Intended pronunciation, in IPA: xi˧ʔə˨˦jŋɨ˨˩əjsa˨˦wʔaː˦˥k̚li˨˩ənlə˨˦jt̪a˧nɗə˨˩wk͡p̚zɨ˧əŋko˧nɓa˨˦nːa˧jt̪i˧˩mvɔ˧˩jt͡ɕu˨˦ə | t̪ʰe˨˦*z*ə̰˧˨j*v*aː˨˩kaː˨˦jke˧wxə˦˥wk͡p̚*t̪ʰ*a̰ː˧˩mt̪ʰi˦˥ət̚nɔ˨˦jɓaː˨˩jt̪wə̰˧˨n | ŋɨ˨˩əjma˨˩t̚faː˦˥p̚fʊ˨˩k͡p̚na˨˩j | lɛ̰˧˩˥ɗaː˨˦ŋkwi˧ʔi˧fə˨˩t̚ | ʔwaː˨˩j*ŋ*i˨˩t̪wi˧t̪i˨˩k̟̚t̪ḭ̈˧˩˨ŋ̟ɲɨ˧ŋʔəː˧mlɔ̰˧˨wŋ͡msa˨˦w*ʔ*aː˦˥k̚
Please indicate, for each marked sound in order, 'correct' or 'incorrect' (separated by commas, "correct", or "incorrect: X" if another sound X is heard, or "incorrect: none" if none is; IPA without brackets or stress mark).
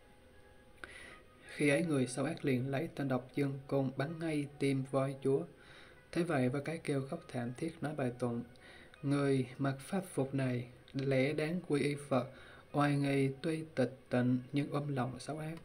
incorrect: v, correct, correct, correct, correct